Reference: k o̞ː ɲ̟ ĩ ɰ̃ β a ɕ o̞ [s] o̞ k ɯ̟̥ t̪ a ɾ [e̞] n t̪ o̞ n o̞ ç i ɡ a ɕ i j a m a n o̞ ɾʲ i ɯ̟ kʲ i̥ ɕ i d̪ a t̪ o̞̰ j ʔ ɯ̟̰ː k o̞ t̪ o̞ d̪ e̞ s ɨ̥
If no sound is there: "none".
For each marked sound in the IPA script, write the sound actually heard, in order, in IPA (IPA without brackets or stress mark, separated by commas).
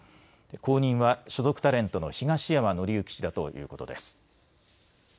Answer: z, ẽ̞